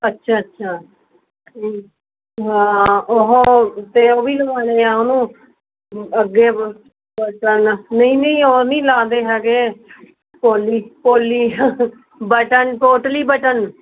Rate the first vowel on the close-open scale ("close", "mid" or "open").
mid